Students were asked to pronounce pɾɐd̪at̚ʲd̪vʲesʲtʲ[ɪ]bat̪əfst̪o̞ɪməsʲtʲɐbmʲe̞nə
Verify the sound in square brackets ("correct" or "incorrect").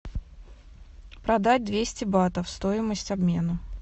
correct